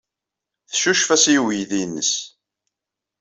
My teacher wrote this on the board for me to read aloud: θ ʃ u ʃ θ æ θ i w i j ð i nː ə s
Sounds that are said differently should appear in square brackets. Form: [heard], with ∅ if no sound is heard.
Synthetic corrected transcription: θ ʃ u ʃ [f] æ [s] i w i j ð i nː ə s

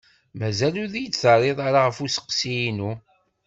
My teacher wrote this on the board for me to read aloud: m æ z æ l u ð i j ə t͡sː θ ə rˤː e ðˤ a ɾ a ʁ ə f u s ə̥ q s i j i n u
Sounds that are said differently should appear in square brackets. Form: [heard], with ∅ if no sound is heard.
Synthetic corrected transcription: m æ z æ l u ð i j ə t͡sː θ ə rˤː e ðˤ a ɾ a ʁ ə f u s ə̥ q s i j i n u

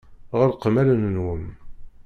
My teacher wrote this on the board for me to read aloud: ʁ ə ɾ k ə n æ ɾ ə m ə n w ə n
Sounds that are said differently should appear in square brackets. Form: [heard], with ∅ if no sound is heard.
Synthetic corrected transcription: ʁ ə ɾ [q] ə [m] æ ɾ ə [n] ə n w ə [m]

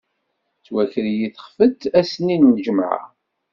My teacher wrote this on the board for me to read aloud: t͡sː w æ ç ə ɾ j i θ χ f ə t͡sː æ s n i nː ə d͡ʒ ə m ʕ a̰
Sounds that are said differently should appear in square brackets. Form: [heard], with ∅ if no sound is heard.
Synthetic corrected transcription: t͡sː w æ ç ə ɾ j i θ χ f ə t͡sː æ s n i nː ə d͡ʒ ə m ʕ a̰

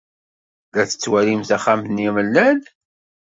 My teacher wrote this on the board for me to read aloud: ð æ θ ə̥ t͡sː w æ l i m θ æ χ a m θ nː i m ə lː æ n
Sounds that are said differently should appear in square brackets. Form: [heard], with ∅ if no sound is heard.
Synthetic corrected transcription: ð æ θ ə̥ t͡sː w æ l i m θ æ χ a m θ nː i m ə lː æ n

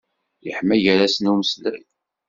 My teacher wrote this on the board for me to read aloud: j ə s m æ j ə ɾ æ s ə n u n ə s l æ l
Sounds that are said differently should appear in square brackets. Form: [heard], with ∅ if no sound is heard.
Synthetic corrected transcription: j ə [ħ] m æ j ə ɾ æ s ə n u [m] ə s l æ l

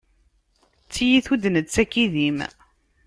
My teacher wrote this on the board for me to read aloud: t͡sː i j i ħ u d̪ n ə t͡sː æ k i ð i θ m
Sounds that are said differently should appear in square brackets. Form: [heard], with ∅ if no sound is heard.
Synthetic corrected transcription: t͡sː i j i [θ] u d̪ n ə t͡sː æ k i ð i [∅] m

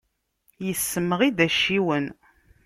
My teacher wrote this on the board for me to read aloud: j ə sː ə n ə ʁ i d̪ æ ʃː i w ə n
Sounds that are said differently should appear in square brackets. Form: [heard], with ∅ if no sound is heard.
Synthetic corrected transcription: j ə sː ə [m] ə ʁ i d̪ æ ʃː i w ə n

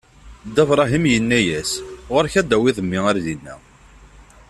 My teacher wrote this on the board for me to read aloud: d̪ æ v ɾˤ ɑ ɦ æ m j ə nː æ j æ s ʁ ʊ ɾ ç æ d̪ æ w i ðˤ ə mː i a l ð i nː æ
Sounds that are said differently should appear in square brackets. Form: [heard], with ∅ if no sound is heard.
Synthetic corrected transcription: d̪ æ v ɾˤ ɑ ɦ [i] m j ə nː æ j æ s ʁ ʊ ɾ ç æ d̪ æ w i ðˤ ə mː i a [ɾ] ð i nː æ

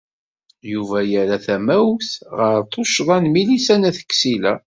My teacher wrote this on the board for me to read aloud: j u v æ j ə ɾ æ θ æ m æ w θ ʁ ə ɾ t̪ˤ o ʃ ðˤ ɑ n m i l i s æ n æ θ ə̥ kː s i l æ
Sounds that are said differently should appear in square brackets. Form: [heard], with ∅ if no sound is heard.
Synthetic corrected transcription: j u v æ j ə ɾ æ θ æ m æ w θ ʁ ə ɾ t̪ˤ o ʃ ðˤ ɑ n m i l i s æ n æ θ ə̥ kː s i l æ

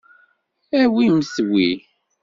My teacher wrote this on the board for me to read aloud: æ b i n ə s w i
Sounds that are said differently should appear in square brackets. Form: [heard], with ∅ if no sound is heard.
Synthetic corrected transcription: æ [w] i [m] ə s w i

